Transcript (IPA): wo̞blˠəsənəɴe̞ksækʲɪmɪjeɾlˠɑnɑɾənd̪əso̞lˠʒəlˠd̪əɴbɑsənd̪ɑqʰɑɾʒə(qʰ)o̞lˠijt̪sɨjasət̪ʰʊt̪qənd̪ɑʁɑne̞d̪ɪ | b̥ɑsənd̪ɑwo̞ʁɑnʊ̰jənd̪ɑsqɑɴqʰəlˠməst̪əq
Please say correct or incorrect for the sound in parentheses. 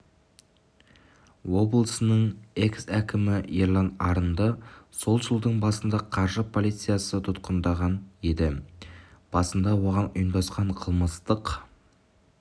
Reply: incorrect